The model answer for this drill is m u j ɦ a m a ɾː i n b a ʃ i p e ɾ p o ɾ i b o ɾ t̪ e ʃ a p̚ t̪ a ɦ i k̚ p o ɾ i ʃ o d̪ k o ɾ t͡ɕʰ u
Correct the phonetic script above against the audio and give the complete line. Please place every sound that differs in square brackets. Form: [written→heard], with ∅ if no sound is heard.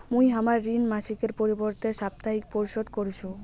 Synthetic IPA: m u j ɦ a m a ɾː i n [b→m] a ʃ i [p→k] e ɾ p o ɾ i b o ɾ t̪ e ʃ a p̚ t̪ a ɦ i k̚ p o ɾ i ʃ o d̪ k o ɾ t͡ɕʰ u

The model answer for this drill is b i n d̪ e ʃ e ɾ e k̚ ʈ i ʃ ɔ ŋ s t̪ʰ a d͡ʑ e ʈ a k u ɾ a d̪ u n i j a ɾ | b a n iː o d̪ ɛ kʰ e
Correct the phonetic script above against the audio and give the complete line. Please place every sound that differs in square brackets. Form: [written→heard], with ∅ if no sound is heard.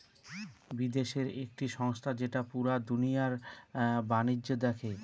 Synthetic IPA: b i [n→∅] d̪ e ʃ e ɾ e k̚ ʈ i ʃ ɔ ŋ s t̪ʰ a d͡ʑ e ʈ a [k→p] u ɾ a d̪ u n i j a ɾ | b a n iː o d̪ ɛ kʰ e

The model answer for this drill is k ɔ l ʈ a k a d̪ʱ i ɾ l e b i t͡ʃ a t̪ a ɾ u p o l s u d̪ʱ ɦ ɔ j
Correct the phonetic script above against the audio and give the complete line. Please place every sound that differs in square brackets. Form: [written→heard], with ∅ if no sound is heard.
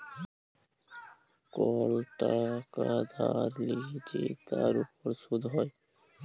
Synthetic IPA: k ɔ l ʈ a k a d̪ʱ [i→a] ɾ l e [b→ɡ] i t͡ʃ [a→e] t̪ a ɾ u p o [l→ɾ] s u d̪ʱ ɦ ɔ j

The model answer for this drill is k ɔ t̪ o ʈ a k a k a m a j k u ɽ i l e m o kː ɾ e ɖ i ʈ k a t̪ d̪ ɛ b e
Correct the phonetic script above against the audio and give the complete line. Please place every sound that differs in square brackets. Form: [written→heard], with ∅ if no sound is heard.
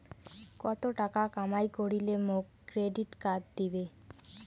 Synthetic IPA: k ɔ t̪ o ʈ a k a k a m a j k [u→o] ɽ i l e m o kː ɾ e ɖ i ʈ k a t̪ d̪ [ɛ→i] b e

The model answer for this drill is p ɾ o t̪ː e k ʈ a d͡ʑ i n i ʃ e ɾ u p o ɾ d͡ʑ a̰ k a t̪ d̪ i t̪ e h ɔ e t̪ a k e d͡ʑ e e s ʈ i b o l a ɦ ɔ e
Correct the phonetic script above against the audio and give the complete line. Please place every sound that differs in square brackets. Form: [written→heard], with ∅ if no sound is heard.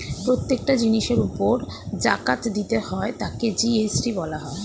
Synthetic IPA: p ɾ o t̪ː e k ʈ a d͡ʑ i n i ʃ e ɾ u p o ɾ d͡ʑ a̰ k a t̪ d̪ i t̪ e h ɔ e t̪ a k e d͡ʑ [e→i] e s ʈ i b [o→ɔ] l a ɦ ɔ e

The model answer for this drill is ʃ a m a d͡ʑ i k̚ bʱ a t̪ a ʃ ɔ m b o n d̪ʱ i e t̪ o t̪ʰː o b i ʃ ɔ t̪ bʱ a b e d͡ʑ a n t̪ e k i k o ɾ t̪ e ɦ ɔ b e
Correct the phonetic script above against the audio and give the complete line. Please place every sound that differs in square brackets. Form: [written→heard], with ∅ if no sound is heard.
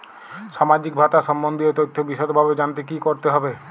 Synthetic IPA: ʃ a m a d͡ʑ i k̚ bʱ a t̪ a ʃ ɔ m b o n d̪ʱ i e t̪ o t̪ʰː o b i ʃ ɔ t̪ bʱ a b e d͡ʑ a n t̪ e k i k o ɾ t̪ e ɦ ɔ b e

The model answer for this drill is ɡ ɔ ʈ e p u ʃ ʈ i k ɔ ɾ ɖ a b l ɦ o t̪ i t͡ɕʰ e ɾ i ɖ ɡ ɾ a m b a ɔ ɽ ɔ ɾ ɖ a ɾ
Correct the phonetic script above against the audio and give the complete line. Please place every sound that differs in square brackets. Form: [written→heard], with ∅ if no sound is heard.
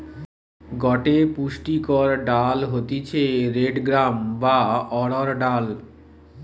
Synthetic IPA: ɡ ɔ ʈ e p u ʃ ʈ i k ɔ ɾ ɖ a [b→∅] l ɦ o t̪ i t͡ɕʰ e ɾ [i→e] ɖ ɡ ɾ a m b a ɔ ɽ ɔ ɾ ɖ a [ɾ→l]

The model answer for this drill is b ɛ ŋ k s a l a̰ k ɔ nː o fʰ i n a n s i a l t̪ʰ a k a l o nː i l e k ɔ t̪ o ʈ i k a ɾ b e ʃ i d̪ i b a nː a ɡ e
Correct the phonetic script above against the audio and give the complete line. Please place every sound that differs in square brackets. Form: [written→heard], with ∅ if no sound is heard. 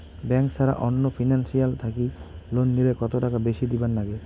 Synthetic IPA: b ɛ ŋ k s a [l→ɾ] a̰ [k→ʔ] ɔ nː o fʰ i n a n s i a l t̪ʰ a k [a→i] l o nː i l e k ɔ t̪ o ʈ [i→a] k a [ɾ→∅] b e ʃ i d̪ i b a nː a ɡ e

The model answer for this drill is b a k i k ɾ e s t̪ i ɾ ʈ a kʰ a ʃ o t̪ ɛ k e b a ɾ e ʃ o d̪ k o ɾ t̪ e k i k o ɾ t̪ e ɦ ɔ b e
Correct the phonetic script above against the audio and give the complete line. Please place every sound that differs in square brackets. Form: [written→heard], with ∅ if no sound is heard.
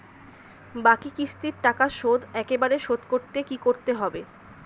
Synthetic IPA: b a k i k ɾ [e→i] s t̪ i ɾ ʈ a [kʰ→k] a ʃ o [t̪→d̪] ɛ k e b a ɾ e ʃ o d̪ k o ɾ t̪ e k i k o ɾ t̪ e ɦ ɔ b e

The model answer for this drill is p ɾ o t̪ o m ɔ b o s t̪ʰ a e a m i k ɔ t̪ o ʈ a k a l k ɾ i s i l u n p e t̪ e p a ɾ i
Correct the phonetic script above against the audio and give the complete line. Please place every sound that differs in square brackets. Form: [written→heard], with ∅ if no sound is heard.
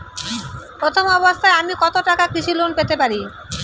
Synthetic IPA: p ɾ o [t̪→t̪ʰ] o m ɔ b o s t̪ʰ a e a m i k ɔ t̪ o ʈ a k a [l→∅] k ɾ i [s→ʃ] i l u n p e t̪ e p a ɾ i

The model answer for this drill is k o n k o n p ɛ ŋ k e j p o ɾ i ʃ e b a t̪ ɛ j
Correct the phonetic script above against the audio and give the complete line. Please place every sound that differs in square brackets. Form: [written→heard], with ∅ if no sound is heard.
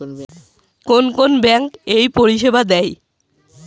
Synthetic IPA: k o n k o n [p→b] ɛ ŋ k e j p o ɾ i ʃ e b a [t̪→d̪] ɛ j

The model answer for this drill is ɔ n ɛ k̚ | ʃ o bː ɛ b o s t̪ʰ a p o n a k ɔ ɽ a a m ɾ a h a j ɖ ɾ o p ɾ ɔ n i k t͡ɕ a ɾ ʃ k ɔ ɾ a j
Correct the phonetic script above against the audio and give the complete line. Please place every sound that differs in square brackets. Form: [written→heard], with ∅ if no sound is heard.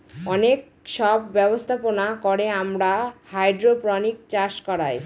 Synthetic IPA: ɔ n [ɛ→e] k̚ | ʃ [o→ɔ] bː ɛ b o s t̪ʰ a p o n a k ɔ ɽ [a→e] a m ɾ a h a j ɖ ɾ o p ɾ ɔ n i k t͡ɕ a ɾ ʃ k ɔ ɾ a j

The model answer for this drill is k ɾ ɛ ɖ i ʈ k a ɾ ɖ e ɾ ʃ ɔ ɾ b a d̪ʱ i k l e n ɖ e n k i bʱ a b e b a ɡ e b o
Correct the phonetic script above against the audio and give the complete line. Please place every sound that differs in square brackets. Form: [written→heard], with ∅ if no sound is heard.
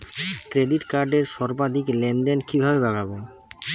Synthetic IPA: k ɾ [ɛ→e] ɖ i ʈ k a ɾ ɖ e ɾ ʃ ɔ ɾ b a d̪ʱ i k l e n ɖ e n k i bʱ a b e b a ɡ [e→a] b o

